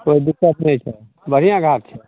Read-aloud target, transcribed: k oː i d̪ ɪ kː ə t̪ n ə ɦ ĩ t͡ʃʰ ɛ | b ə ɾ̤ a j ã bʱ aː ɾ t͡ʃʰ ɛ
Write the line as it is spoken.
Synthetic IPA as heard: k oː i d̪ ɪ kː ə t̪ n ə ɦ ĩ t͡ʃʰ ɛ | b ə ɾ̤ i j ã ɡʱ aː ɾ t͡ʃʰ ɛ